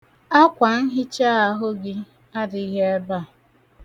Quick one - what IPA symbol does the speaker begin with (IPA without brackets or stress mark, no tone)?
a